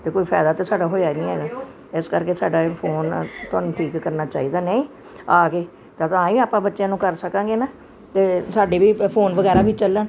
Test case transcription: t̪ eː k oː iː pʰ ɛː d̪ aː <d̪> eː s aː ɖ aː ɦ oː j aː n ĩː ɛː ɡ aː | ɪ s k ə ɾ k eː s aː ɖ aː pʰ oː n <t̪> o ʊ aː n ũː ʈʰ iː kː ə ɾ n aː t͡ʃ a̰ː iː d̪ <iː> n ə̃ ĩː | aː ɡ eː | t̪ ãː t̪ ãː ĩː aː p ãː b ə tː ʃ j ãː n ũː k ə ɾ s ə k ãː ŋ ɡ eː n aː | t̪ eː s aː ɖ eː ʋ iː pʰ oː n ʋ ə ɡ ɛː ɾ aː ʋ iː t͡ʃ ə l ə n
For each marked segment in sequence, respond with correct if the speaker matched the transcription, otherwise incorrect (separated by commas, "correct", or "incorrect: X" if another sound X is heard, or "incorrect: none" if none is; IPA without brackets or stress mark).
incorrect: t̪, correct, incorrect: aː